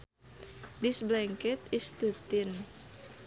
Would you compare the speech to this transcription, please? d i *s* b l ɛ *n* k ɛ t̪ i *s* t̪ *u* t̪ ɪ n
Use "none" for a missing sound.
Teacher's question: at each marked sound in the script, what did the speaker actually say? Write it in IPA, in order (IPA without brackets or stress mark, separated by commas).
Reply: s, ŋ, s, u